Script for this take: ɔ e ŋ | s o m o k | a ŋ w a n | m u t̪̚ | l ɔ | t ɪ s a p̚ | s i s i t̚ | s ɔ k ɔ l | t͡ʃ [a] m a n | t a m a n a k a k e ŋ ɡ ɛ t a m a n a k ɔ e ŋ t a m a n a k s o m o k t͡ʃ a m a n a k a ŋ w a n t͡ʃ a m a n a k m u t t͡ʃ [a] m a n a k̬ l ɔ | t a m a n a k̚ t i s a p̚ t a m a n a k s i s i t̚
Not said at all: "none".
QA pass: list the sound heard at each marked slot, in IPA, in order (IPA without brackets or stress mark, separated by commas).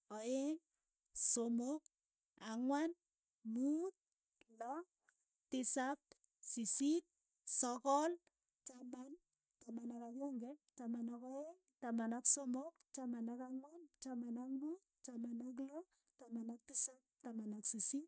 a, a